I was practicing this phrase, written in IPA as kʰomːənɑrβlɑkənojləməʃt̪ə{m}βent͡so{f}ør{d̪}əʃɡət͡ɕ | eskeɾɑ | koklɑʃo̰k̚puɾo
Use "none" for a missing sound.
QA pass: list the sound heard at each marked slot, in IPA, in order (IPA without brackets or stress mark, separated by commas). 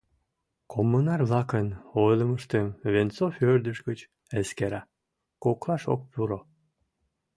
m, f, d̪